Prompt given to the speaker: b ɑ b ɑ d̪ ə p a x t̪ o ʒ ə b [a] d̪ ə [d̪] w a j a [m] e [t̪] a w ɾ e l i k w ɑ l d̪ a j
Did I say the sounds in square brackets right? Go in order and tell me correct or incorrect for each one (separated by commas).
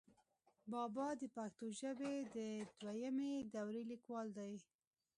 incorrect, correct, correct, incorrect